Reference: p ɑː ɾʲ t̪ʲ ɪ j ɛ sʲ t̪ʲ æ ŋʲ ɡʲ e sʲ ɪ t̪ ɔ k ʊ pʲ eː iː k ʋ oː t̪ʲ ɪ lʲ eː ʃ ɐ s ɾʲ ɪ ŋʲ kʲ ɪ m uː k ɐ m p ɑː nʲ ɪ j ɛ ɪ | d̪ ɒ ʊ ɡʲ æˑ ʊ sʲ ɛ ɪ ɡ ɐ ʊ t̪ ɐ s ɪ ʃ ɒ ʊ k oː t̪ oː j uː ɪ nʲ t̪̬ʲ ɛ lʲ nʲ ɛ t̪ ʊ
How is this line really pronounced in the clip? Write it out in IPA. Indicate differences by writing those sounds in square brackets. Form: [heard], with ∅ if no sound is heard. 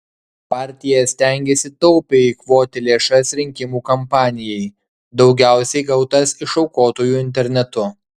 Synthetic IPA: p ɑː ɾʲ t̪ʲ ɪ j ɛ sʲ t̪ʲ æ ŋʲ ɡʲ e sʲ ɪ t̪ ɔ [∅] ʊ pʲ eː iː k ʋ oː t̪ʲ ɪ lʲ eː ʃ ɐ s ɾʲ ɪ ŋʲ kʲ ɪ m uː k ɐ m p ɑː nʲ ɪ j ɛ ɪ | d̪ ɒ ʊ ɡʲ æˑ ʊ sʲ ɛ ɪ ɡ ɐ ʊ t̪ ɐ s ɪ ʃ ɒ ʊ k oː t̪ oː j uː ɪ nʲ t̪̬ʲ ɛ [ɾʲ] nʲ ɛ t̪ ʊ